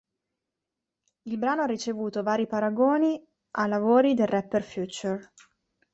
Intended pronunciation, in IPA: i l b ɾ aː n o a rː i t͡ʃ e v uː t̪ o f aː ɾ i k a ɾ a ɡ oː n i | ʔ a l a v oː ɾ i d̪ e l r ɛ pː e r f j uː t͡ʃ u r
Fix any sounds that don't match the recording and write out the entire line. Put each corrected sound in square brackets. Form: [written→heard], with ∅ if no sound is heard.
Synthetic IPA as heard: i l b ɾ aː n o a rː i t͡ʃ e v uː t̪ o [f→v] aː ɾ i [k→p] a ɾ a ɡ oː n i | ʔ a l a v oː ɾ i d̪ e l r ɛ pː e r f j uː t͡ʃ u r

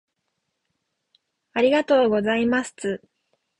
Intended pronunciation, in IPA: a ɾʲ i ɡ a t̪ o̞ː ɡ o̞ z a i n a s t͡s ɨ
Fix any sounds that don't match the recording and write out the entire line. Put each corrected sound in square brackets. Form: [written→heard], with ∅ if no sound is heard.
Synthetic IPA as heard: a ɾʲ i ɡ a t̪ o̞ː ɡ o̞ z a i [n→m] a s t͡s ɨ

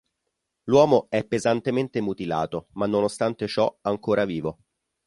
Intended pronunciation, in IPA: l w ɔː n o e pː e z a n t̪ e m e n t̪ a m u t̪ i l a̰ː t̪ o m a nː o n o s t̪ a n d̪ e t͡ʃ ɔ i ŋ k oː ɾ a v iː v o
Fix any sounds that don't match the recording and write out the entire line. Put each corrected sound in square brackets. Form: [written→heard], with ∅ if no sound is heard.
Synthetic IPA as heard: l w ɔː [n→m] o [e→ɛ] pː e z a n t̪ e m e n t̪ [a→e] m u t̪ i l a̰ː t̪ o m a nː o n o s t̪ a n [d̪→t̪] e t͡ʃ ɔ [i→a] ŋ k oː ɾ a v iː v o

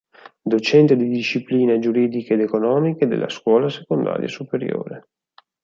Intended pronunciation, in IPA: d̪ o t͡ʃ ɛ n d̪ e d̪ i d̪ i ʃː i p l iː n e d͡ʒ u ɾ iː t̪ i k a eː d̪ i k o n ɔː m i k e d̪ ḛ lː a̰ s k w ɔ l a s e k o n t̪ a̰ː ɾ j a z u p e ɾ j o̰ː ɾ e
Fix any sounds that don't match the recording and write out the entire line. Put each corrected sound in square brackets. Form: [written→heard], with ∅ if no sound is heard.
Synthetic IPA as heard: d̪ o t͡ʃ ɛ n [d̪→t̪] e d̪ i d̪ i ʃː i p l iː n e d͡ʒ u ɾ iː [t̪→d̪] i k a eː d̪ [i→e] k o n ɔː m i k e d̪ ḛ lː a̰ s k w [ɔ→ɔː] l a s e k o n [t̪→d̪] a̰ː ɾ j a [z→s] u p e ɾ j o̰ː ɾ e

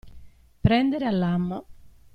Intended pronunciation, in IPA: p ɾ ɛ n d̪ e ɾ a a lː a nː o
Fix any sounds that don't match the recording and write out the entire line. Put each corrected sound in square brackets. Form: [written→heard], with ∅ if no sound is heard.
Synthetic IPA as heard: p ɾ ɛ n d̪ e ɾ [a→e] a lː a [nː→mː] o

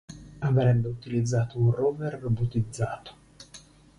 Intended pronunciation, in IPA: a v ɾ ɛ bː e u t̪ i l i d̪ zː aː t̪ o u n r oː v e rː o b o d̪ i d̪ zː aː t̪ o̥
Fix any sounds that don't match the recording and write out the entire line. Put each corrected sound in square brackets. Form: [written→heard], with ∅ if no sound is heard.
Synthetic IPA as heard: a v ɾ ɛ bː e u t̪ i l i d̪ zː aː t̪ o u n r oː v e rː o b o [d̪→t̪] i d̪ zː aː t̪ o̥

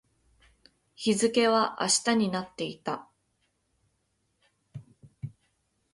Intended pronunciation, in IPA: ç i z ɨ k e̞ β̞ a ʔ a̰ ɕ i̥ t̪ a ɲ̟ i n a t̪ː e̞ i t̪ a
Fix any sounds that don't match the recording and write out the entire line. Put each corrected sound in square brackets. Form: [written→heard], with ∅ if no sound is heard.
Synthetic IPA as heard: ç i z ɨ k e̞ β̞ a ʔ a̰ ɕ i̥ t̪ a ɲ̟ i n a t̪ː e̞ i t̪ a

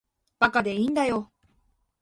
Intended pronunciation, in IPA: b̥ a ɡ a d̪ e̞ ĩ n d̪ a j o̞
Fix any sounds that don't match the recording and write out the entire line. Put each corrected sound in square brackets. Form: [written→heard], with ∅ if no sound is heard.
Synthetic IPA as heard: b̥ a [ɡ→k] a d̪ e̞ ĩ n d̪ a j o̞

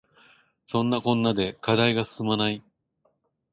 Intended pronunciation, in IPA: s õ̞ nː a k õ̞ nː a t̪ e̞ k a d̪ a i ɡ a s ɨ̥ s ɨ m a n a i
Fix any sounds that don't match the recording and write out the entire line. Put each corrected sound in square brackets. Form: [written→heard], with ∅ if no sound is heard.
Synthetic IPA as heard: s õ̞ nː a k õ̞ nː a [t̪→d̪] e̞ k a d̪ a i ɡ a s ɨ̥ s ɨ m a n a i

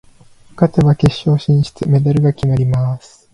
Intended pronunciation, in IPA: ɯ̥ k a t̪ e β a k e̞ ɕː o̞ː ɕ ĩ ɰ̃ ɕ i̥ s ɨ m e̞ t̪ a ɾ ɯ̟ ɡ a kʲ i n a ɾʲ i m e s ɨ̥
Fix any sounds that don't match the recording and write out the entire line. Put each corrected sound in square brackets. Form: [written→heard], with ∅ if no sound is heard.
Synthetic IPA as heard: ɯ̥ k a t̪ e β a k e̞ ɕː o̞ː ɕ ĩ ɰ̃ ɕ i̥ [s→t͡s] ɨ m e̞ [t̪→d̪] a ɾ ɯ̟ ɡ a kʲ i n a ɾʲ i m [e→a] s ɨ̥

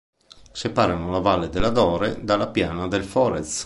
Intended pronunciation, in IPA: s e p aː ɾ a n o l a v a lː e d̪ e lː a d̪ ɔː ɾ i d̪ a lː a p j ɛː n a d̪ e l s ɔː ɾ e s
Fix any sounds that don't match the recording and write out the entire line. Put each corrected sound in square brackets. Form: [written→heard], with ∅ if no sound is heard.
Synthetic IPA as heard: s e p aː ɾ a n o l a v a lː e d̪ e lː a d̪ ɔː ɾ [i→e] d̪ a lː a p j [ɛː→aː] n a d̪ e l [s→f] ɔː ɾ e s

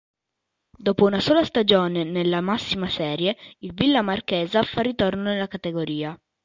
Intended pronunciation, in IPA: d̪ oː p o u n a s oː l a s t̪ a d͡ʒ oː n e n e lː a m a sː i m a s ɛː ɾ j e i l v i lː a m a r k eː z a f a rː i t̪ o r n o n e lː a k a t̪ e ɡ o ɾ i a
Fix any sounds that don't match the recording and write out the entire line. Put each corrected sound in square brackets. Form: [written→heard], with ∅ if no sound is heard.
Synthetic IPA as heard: d̪ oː p o u n a s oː l a s t̪ a d͡ʒ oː n e n e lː a m a sː i m a s ɛː ɾ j e i l v i lː a m a r k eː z a f a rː i t̪ o r n o n e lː a k a t̪ e ɡ o ɾ [i→iː] a

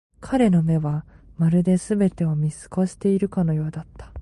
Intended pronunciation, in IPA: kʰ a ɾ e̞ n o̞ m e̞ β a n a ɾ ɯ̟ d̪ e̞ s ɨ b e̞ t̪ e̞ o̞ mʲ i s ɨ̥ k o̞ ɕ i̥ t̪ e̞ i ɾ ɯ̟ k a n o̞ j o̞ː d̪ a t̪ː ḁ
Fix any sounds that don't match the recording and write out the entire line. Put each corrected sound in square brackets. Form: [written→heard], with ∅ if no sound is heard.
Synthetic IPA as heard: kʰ a ɾ e̞ n o̞ m e̞ β a [n→m] a ɾ ɯ̟ d̪ e̞ s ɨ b e̞ t̪ e̞ o̞ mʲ i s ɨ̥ k o̞ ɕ i̥ t̪ e̞ i ɾ ɯ̟ k a n o̞ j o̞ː d̪ a t̪ː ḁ

